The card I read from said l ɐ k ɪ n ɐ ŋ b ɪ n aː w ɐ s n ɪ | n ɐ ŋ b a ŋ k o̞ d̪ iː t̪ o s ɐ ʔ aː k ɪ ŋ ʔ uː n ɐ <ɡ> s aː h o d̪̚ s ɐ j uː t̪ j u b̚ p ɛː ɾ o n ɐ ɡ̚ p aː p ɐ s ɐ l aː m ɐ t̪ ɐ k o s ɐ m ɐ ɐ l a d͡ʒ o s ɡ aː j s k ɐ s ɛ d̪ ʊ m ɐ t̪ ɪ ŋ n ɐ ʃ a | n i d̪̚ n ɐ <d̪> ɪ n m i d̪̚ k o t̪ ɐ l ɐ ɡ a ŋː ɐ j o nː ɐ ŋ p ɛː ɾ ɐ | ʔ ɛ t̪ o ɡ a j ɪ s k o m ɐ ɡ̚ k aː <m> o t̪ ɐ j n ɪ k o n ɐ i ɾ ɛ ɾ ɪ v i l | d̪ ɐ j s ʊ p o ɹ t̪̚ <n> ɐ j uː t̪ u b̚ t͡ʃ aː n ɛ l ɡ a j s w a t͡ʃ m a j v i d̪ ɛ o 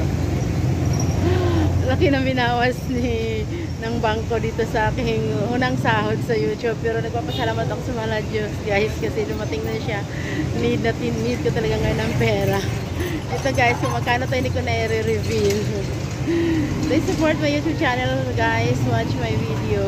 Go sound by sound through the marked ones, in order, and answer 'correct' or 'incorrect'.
incorrect, incorrect, incorrect, incorrect

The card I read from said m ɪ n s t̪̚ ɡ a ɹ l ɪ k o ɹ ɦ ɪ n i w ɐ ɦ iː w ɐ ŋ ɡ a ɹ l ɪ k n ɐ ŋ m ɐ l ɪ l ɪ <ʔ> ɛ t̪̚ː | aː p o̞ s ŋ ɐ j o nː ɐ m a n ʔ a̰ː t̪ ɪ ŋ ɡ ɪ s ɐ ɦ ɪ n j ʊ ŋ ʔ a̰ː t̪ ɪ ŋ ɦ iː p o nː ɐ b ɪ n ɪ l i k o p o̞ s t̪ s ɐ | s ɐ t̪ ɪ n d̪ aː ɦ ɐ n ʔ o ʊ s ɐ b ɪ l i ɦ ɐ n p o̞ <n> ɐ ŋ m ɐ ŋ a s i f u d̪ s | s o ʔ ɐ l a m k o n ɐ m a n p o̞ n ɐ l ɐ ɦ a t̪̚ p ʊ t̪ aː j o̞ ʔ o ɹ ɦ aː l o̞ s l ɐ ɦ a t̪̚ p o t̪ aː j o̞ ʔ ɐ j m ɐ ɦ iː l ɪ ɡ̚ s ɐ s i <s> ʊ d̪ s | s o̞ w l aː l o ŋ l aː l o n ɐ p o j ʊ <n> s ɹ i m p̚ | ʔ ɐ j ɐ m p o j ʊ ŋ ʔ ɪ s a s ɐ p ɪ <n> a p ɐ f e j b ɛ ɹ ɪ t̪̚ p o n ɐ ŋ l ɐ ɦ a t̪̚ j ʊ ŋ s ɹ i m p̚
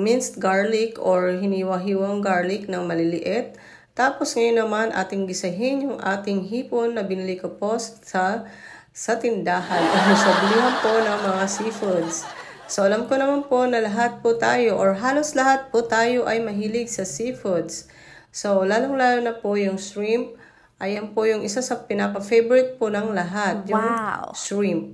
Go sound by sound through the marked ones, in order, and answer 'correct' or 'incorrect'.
correct, correct, incorrect, incorrect, correct

